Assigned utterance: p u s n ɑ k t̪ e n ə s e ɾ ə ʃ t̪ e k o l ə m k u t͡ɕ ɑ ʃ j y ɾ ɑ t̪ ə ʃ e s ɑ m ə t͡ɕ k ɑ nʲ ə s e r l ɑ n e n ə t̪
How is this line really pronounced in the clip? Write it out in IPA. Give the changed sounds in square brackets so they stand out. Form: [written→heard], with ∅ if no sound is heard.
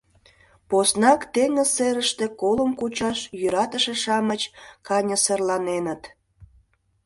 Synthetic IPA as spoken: p [u→o] s n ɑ k t̪ e [n→ŋ] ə s e ɾ ə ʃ t̪ e k o l ə m k u t͡ɕ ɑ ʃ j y ɾ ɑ t̪ ə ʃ e [s→ʃ] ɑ m ə t͡ɕ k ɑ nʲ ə s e r l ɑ n e n ə t̪

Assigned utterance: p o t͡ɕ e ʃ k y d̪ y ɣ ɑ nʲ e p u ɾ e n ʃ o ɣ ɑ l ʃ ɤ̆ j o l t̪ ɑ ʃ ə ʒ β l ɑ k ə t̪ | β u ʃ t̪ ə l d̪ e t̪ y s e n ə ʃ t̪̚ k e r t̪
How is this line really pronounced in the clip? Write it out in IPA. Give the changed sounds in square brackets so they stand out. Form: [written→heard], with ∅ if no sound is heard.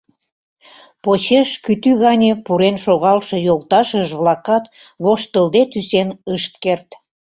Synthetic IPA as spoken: p o t͡ɕ e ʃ k y [d̪→t̪] y ɣ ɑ nʲ e p u ɾ e n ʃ o ɣ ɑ l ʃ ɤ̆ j o l t̪ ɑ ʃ ə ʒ β l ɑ k [ə→ɑ] t̪ | β [u→o] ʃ t̪ ə l d̪ e t̪ y s e n ə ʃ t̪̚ k e r t̪

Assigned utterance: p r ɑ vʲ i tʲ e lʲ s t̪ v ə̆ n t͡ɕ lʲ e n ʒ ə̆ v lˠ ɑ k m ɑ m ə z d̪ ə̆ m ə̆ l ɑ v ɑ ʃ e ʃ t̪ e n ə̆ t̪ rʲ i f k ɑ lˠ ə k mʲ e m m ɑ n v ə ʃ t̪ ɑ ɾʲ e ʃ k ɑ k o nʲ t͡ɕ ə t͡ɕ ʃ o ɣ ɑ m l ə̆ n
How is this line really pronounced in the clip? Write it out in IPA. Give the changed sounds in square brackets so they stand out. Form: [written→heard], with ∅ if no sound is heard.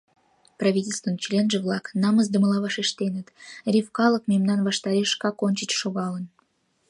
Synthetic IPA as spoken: p r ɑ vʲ i tʲ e lʲ s t̪ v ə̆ n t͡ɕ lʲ e n ʒ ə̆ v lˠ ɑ k [m→n] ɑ m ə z d̪ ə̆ m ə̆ l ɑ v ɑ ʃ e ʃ t̪ e n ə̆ t̪ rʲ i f k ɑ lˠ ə k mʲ e m [m→n] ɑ n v [ə→ɑ] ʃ t̪ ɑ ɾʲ e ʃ k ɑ k o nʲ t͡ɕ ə t͡ɕ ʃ o ɣ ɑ [m→∅] l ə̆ n

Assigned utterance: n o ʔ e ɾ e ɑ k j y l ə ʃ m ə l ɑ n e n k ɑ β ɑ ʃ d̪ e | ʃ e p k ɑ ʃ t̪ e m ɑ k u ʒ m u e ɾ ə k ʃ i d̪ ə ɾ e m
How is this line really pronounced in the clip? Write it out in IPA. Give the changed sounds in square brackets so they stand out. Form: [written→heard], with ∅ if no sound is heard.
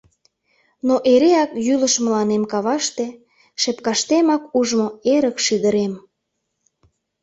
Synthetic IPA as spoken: n o ʔ e ɾ e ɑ k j y l ə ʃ m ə l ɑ n e [n→m] k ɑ β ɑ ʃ [d̪→t̪] e | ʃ e p k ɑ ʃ t̪ e m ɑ k u ʒ m [u→o] e ɾ ə k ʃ i d̪ ə ɾ e m

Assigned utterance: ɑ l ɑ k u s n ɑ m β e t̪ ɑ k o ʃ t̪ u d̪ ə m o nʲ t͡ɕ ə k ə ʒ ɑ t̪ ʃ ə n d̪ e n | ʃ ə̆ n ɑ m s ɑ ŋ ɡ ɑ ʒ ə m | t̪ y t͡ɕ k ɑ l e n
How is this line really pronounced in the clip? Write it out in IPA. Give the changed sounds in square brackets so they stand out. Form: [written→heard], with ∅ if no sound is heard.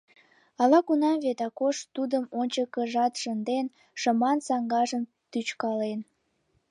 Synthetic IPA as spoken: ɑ l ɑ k u [s→∅] n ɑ m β e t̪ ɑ k o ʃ t̪ u d̪ ə m o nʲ t͡ɕ ə k ə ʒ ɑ t̪ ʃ ə n d̪ e n | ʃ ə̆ [n→m] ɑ [m→n] s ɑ ŋ ɡ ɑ ʒ ə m | t̪ y t͡ɕ k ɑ l e n

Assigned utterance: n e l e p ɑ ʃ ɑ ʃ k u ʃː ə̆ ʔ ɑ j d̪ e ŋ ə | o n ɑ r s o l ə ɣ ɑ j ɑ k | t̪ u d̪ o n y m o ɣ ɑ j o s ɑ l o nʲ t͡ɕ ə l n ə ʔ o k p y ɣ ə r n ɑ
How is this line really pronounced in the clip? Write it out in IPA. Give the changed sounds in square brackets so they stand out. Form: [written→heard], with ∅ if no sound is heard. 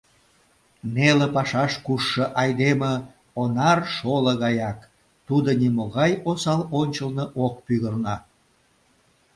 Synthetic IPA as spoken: n e l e p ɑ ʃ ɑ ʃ k u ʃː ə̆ ʔ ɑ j d̪ e [ŋ→m] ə | o n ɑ r [s→ʃ] o l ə ɣ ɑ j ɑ k | t̪ u d̪ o n [y→i] m o ɣ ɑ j o s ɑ l o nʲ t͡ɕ ə l n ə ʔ o k p y ɣ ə r n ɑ

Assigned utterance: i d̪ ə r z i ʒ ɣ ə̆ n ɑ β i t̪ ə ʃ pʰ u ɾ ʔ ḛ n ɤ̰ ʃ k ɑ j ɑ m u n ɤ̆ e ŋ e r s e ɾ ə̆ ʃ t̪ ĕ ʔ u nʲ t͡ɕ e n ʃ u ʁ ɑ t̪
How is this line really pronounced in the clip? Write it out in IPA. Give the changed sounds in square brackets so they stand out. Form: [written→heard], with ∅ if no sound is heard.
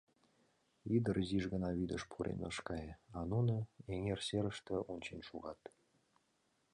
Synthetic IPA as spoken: i d̪ ə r z i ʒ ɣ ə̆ n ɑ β i [t̪→d̪] ə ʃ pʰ u ɾ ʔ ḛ n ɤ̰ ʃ k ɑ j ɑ [m→n] u n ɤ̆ e ŋ e r s e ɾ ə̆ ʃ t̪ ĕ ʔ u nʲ t͡ɕ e n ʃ u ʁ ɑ t̪

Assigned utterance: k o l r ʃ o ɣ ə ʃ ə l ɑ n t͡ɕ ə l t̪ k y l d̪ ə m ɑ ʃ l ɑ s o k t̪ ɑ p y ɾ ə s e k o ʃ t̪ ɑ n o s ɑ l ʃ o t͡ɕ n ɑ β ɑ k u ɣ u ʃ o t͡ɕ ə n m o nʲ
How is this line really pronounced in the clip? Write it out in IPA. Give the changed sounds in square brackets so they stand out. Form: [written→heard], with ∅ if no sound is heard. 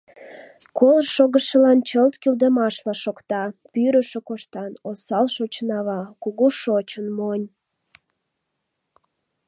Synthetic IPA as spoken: k o l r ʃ o ɣ ə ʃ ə l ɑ n t͡ɕ ə l t̪ k y l d̪ ə m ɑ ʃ l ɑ [s→ʃ] o k t̪ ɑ p y ɾ ə [s→ʃ] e k o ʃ t̪ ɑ n o s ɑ l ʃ o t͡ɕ n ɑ β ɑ k u ɣ u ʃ o t͡ɕ ə n m o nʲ

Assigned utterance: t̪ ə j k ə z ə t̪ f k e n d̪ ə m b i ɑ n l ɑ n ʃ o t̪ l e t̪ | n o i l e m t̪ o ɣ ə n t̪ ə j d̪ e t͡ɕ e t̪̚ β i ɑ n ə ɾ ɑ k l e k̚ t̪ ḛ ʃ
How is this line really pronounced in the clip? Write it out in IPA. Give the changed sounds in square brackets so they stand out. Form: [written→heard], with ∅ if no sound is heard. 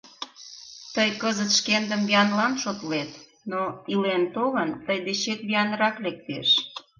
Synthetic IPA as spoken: t̪ ə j k ə z ə t̪ [f→ʃ] k e n d̪ ə m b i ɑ n l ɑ n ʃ o t̪ l e t̪ | n o i l e [m→n] t̪ o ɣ ə n t̪ ə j d̪ e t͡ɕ e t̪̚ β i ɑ n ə ɾ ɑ k l e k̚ t̪ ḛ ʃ

